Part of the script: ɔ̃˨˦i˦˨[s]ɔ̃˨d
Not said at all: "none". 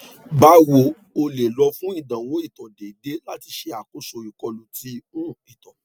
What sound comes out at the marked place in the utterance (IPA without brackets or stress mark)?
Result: t